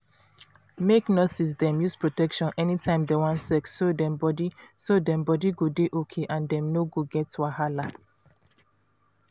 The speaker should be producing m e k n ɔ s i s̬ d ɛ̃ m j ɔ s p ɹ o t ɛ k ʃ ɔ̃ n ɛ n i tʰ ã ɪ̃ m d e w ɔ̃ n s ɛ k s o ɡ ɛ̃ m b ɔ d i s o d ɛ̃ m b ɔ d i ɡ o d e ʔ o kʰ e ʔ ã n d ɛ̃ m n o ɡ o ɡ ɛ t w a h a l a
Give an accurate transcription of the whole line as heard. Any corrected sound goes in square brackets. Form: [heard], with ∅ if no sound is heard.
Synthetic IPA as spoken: m e k n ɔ s i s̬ d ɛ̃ m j [u] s p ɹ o t ɛ k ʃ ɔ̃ n ɛ n i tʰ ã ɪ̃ m d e w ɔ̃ n s ɛ k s o [d] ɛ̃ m b ɔ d i s o d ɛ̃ m b ɔ d i ɡ o d e ʔ o kʰ e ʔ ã n d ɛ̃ m n o ɡ o ɡ ɛ t w a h a l a